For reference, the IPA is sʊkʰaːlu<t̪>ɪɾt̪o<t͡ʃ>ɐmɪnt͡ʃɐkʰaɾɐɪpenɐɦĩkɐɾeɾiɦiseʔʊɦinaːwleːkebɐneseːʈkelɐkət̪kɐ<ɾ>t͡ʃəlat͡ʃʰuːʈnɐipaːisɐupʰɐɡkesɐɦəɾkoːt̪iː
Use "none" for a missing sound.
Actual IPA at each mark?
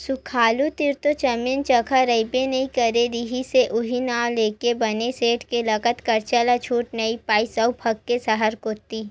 t̪, t͡ʃ, ɾ

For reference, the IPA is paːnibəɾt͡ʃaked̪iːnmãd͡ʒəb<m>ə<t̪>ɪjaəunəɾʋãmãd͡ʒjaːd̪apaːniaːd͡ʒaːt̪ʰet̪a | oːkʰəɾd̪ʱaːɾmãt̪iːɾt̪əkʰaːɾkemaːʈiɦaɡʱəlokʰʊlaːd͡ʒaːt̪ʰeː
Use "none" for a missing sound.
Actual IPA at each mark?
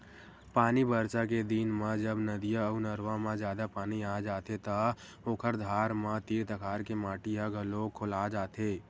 n, d̪

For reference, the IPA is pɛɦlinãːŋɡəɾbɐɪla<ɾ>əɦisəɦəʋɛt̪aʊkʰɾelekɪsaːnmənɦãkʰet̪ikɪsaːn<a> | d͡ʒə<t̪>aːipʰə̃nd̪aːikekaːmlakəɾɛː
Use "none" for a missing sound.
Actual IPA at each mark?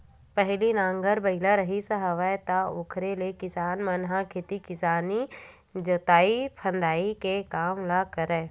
ɾ, i, t̪

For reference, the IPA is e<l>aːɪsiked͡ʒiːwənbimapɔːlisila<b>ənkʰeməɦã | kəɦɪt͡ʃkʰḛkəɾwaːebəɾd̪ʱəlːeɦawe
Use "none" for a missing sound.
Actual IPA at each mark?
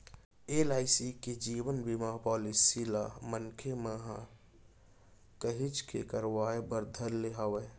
l, m

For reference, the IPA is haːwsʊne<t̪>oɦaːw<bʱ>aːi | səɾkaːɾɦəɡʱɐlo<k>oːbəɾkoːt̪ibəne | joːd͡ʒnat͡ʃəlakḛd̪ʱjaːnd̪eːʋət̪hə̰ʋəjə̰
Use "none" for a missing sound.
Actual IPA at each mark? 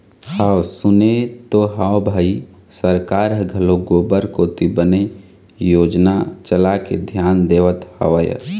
t̪, bʱ, ɡ

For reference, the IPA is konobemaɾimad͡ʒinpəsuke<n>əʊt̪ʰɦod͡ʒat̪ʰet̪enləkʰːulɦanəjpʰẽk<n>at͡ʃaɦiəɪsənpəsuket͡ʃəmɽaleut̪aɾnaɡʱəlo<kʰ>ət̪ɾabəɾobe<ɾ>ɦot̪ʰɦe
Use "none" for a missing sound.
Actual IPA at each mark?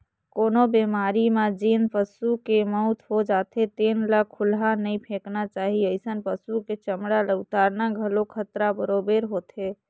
m, n, kʰ, ɾ

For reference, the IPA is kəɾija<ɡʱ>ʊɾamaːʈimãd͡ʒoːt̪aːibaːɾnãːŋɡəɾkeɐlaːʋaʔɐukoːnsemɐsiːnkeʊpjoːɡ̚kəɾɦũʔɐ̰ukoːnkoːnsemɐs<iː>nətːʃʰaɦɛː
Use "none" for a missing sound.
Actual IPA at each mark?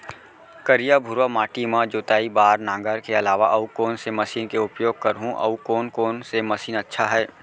bʱ, iː

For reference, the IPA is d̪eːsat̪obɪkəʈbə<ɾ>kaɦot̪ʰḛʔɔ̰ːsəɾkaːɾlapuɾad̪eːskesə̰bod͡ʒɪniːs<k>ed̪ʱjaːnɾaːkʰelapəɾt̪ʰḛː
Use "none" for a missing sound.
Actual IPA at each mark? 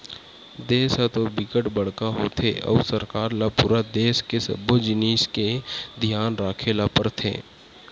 ɽ, k

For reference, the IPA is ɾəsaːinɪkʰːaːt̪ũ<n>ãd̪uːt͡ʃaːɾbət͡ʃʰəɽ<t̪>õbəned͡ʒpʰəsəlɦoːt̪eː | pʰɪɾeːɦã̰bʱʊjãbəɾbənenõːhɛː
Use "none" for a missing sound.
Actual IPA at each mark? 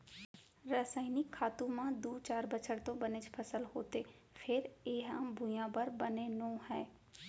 m, t̪

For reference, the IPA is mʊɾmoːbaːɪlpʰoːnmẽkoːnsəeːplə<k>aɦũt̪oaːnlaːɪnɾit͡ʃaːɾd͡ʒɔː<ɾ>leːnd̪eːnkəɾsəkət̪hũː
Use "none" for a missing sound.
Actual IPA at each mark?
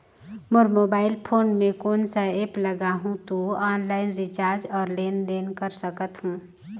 ɡ, ɾ

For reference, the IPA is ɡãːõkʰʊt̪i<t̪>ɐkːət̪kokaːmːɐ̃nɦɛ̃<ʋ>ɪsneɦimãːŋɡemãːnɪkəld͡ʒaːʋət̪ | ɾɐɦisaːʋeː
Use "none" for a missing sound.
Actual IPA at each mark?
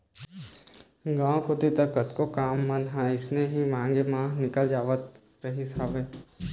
t̪, none

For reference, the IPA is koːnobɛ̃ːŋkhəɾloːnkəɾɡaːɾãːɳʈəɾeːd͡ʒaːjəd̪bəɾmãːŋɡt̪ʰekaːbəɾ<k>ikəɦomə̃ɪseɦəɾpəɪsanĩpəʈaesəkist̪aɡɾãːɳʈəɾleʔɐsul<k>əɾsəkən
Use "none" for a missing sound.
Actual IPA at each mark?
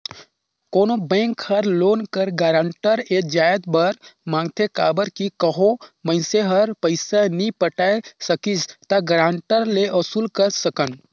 k, k

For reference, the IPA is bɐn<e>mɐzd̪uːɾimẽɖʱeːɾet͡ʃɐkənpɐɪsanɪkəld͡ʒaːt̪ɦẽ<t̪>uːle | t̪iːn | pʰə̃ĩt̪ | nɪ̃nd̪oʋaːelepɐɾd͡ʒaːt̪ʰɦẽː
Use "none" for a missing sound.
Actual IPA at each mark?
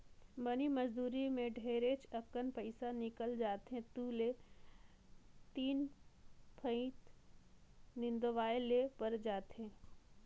i, t̪

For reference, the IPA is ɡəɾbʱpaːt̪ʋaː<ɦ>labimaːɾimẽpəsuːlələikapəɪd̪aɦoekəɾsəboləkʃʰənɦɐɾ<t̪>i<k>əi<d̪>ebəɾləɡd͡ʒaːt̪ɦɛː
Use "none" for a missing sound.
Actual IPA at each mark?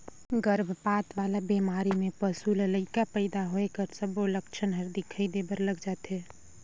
none, d̪, kʰ, d̪

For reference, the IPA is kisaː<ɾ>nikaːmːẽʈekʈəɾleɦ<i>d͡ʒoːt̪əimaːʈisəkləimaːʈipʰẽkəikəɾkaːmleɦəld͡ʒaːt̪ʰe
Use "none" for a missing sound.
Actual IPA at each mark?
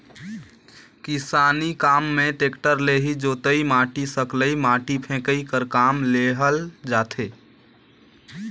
none, i

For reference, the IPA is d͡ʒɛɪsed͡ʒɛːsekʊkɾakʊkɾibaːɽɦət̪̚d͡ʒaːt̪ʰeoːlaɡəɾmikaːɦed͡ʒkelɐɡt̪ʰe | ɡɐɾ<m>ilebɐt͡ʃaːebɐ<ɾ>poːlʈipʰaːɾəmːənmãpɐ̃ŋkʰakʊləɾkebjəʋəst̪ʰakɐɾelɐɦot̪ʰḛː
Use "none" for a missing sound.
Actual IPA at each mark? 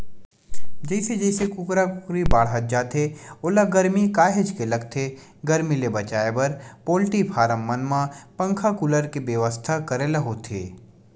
m, ɾ

